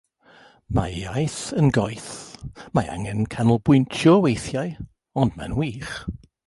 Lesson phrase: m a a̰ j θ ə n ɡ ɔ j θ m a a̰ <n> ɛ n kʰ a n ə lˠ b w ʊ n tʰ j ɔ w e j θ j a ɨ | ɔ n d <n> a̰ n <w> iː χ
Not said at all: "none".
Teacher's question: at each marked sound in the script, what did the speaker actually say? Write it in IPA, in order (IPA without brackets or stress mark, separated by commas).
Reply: ŋ, m, w